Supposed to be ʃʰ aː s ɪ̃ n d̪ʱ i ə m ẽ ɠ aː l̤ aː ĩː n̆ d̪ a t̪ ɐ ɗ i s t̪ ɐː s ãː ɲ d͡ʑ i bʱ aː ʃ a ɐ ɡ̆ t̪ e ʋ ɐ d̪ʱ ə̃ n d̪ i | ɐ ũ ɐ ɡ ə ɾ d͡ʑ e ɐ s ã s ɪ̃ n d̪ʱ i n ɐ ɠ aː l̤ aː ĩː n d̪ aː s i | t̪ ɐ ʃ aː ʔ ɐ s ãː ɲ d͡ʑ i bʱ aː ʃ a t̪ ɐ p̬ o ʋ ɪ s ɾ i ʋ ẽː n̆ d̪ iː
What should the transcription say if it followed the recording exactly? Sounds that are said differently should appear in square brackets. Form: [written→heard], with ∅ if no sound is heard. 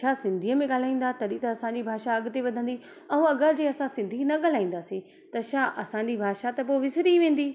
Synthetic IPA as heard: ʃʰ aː s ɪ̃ n d̪ʱ i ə m ẽ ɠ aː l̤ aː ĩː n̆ d̪ a t̪ ɐ ɗ i [s→∅] t̪ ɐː s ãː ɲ d͡ʑ i bʱ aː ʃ a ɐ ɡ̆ t̪ e ʋ ɐ d̪ʱ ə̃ n d̪ i | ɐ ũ ɐ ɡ ə ɾ d͡ʑ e ɐ s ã s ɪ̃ n d̪ʱ i n ɐ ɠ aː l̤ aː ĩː n d̪ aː s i | t̪ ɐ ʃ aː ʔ ɐ s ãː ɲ d͡ʑ i bʱ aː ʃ a t̪ ɐ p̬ o ʋ ɪ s ɾ i ʋ ẽː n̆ d̪ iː